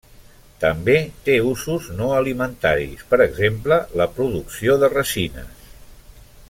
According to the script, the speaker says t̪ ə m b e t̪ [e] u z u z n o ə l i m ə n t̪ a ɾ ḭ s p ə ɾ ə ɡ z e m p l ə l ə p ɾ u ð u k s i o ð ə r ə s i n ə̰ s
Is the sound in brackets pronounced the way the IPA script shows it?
yes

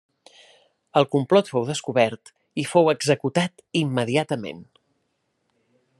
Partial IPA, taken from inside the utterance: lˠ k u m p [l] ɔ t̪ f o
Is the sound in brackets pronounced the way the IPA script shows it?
yes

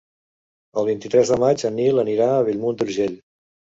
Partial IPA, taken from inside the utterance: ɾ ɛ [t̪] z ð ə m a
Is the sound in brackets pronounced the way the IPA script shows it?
no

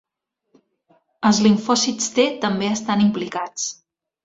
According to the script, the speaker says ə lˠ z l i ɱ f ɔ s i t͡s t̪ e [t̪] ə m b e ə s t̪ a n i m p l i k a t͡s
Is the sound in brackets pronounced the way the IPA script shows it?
yes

